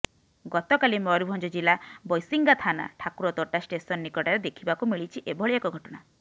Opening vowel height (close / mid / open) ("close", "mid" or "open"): mid